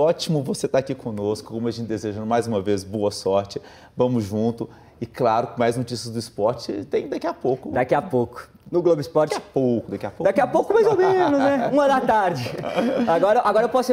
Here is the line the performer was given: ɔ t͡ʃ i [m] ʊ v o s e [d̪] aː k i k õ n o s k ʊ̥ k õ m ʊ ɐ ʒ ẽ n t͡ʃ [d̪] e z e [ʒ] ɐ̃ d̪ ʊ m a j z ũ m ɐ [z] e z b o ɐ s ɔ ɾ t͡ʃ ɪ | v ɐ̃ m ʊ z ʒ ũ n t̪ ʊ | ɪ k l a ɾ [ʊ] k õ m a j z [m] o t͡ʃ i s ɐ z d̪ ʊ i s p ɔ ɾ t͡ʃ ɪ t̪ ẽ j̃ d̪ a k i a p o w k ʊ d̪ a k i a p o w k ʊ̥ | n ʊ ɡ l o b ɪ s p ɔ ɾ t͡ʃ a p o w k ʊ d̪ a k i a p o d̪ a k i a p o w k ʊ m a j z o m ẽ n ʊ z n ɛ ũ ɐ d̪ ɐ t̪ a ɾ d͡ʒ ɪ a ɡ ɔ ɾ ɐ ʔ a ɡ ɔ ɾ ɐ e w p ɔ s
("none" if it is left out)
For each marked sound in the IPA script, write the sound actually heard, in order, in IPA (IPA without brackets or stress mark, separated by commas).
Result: m, t̪, d̪, ʒ, v, ʊ, n